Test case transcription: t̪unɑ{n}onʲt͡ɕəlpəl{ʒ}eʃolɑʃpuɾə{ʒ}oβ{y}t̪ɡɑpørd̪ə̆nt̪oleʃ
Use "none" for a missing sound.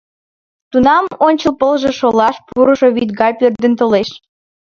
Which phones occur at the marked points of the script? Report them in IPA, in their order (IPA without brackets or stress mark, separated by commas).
m, ʒ, ʃ, i